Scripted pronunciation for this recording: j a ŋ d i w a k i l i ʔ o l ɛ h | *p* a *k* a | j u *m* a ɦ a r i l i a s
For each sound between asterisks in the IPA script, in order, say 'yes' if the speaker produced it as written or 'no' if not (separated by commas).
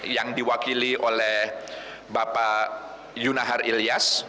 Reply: no, no, no